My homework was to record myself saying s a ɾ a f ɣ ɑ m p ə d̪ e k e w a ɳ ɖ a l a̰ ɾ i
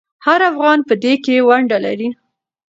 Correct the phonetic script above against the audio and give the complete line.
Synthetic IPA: h a ɾ a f ɣ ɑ n p ə d̪ e k e w a ɳ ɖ a l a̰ ɾ i